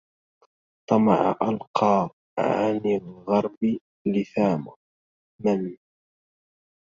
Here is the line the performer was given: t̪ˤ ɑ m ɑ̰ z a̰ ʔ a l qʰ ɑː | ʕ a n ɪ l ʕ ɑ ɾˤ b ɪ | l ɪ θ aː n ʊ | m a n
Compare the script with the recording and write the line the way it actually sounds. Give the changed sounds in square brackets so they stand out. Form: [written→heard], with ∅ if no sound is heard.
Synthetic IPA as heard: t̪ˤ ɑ m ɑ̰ [z→ʕ] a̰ ʔ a l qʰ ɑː | ʕ a n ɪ l [ʕ→ɣ] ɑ ɾˤ b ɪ | l ɪ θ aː [n→m] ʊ | m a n